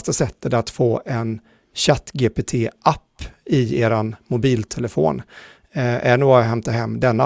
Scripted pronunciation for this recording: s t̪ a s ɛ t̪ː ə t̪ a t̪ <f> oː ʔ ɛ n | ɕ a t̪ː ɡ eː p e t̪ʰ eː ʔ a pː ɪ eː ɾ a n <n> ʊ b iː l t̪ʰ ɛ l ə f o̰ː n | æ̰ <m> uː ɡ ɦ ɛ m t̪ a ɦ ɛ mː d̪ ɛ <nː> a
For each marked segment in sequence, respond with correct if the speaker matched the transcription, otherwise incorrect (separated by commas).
correct, incorrect, incorrect, correct